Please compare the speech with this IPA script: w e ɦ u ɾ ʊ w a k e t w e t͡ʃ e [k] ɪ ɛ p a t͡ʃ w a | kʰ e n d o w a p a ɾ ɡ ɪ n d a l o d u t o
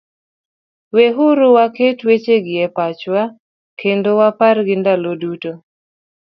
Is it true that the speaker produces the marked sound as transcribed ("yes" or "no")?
no